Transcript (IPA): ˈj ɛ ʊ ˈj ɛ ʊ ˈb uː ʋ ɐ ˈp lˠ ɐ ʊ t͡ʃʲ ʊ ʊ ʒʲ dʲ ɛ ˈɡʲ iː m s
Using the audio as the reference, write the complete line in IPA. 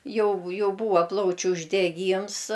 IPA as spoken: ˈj ɛ ʊ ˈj ɛ ʊ ˈb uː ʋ ɐ ˈp lˠ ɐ ʊ t͡ʃʲ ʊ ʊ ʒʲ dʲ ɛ ˈɡʲ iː m s